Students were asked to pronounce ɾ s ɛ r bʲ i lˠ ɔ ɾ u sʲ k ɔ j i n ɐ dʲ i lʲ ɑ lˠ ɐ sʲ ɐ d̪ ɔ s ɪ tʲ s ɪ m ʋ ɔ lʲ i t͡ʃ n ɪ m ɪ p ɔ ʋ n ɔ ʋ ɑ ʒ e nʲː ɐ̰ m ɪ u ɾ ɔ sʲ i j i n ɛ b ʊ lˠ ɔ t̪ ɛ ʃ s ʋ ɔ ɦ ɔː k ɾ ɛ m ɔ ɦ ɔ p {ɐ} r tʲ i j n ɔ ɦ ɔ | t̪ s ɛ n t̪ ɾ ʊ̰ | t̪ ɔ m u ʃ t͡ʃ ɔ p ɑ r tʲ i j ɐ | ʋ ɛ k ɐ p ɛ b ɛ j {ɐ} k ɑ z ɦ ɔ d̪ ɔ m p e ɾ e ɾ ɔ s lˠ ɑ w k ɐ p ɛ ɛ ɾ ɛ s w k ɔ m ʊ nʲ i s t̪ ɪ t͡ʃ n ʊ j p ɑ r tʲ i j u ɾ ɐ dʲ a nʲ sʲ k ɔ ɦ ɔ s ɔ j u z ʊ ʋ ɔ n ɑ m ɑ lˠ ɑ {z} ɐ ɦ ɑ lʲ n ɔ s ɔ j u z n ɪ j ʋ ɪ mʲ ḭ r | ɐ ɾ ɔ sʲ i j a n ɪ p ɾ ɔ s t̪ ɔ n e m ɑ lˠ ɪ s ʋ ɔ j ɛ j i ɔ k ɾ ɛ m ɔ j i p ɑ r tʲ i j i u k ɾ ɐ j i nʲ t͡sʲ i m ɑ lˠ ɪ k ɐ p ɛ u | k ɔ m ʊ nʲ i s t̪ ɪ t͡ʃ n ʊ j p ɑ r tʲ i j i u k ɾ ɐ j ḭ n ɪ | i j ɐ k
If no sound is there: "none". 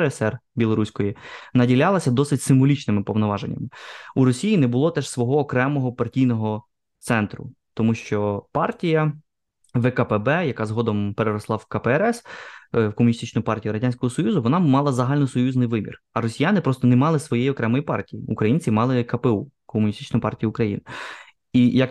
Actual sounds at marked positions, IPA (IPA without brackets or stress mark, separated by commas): ɐ, ɐ, z